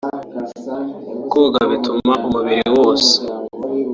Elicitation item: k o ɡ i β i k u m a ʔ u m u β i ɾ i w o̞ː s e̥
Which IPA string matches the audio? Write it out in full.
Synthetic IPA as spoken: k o ɡ a β i t u m a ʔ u m u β i ɾ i w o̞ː s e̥